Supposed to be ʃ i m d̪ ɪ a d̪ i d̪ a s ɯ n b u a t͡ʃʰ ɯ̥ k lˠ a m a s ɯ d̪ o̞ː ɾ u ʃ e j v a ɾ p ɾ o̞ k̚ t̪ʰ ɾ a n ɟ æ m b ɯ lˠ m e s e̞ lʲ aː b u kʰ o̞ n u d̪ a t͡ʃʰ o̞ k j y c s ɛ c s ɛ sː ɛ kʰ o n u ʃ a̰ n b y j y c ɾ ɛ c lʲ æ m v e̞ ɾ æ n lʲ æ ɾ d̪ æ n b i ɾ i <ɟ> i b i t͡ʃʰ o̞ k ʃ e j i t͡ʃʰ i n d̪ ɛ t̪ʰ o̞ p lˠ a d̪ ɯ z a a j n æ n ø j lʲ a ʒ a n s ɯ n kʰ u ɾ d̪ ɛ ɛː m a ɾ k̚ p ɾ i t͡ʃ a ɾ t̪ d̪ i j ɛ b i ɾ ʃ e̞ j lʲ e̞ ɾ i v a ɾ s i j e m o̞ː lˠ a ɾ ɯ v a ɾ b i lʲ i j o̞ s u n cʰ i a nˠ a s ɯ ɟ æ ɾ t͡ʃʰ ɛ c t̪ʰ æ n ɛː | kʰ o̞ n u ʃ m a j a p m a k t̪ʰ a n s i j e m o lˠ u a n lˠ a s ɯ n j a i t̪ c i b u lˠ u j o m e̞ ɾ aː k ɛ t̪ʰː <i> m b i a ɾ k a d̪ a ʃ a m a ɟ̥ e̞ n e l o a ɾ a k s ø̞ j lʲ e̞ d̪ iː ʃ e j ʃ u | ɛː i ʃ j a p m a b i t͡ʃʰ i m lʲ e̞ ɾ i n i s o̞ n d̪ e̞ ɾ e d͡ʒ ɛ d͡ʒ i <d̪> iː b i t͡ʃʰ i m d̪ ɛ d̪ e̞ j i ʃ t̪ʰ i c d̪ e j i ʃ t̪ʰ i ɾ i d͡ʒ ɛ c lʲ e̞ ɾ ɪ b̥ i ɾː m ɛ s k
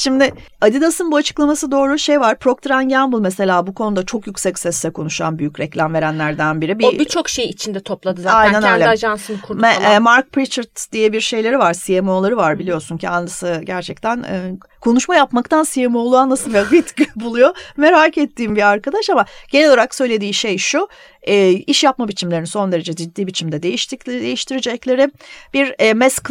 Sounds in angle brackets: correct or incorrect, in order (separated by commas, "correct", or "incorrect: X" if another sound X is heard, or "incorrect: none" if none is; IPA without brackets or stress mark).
incorrect: b, incorrect: iː, incorrect: d̪ː